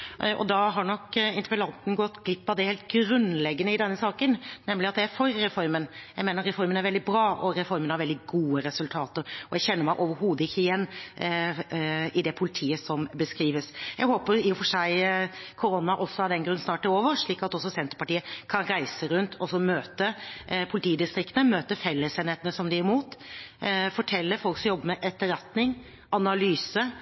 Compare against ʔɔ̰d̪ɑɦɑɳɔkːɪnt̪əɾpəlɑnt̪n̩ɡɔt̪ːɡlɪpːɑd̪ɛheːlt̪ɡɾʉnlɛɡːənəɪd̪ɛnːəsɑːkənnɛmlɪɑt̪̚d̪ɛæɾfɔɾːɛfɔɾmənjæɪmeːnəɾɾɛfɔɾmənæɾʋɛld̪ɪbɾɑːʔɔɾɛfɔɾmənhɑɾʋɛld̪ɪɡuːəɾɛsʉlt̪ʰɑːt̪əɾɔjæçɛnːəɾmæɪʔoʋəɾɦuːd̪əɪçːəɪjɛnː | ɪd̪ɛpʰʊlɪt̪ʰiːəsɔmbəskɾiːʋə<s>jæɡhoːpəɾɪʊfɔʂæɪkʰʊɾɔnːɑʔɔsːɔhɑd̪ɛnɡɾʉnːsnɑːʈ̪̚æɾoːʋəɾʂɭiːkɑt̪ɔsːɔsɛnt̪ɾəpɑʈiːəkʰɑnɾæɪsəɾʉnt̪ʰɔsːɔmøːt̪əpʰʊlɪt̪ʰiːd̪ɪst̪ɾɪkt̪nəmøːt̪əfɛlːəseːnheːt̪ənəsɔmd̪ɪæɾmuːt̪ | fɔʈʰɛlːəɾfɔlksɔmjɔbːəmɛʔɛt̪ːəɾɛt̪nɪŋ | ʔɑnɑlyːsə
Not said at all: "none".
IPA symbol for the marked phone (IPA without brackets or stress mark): s